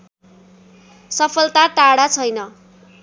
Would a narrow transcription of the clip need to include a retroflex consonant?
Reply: yes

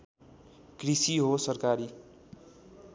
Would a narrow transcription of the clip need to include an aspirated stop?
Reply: no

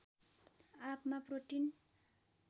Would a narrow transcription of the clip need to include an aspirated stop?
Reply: no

